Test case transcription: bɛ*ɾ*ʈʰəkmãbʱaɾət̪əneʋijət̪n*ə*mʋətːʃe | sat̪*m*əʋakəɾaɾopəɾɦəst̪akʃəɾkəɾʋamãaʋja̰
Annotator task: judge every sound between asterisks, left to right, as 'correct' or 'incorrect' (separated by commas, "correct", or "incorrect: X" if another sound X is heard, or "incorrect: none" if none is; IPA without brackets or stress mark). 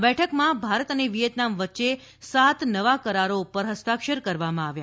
incorrect: none, incorrect: a, incorrect: n